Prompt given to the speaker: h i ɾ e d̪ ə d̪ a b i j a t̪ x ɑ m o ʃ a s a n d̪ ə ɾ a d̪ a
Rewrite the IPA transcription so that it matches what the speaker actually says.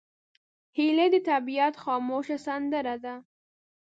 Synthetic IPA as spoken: h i l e d̪ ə t̪ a b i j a t̪ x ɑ m o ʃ a s a n d̪ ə ɾ a d̪ a